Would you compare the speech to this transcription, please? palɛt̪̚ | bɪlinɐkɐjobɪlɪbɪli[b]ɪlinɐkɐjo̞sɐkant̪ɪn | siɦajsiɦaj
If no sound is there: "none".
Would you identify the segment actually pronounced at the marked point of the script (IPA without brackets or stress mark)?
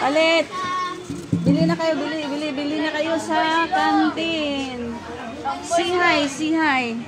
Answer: b